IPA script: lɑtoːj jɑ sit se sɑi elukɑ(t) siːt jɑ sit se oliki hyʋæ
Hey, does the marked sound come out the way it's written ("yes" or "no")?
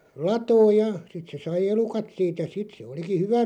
yes